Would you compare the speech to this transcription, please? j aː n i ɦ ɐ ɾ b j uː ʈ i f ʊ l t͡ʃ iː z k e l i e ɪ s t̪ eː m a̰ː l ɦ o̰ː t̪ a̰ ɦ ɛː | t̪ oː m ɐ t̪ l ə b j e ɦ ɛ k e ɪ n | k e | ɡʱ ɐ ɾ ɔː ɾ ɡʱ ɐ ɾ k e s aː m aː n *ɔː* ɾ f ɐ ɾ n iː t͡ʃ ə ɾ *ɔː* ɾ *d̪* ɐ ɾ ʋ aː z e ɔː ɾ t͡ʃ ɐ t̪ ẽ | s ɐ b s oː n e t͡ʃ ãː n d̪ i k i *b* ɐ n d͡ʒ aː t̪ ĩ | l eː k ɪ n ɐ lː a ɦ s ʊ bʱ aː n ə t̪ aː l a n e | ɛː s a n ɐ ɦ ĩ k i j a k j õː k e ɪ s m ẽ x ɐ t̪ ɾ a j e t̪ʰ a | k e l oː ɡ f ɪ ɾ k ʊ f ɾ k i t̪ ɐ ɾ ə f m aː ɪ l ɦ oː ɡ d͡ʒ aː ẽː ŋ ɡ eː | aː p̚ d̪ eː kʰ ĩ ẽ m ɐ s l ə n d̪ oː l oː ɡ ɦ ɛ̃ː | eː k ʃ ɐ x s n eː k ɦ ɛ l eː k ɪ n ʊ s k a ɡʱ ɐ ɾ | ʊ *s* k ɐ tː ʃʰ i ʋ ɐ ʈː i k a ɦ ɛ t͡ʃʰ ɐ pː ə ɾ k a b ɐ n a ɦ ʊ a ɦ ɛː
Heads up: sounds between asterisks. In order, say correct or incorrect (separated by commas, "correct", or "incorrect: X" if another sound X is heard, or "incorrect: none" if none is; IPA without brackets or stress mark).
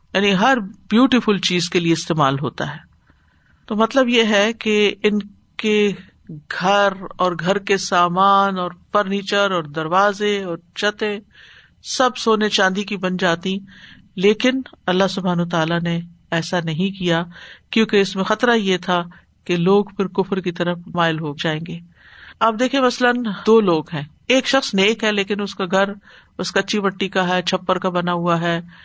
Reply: correct, correct, correct, correct, correct